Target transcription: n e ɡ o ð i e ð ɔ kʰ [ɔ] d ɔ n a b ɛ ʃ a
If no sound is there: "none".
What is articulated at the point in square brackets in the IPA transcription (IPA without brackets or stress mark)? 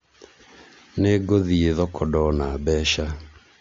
ɔ